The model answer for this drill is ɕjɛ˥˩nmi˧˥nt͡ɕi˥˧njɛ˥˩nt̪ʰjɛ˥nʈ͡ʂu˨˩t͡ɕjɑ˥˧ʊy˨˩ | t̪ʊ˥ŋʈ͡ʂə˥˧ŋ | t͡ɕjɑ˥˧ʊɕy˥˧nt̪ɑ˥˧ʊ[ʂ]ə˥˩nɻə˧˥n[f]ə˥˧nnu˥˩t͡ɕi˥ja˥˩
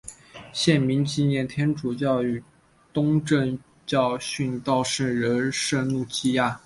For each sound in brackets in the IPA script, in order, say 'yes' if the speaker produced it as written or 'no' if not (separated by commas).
yes, no